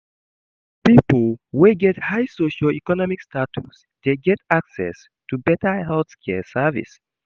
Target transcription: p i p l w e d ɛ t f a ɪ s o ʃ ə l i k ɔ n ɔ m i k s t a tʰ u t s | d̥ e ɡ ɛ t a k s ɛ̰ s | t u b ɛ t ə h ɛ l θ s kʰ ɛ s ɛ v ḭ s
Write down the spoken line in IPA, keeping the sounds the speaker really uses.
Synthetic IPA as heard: p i p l w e ɡ ɛ t h a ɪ s o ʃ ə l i k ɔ n ɔ m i k s t a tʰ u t s | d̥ e ɡ ɛ t a k s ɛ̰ s | t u b ɛ t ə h ɛ l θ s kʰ ɛ s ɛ v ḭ s